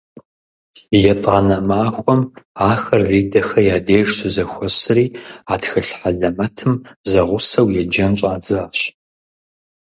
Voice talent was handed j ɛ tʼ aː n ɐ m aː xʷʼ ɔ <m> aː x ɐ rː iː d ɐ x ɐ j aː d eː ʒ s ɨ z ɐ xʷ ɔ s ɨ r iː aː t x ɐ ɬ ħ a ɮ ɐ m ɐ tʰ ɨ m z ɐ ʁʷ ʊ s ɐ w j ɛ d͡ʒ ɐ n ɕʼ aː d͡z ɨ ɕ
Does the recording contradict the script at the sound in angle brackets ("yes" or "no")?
no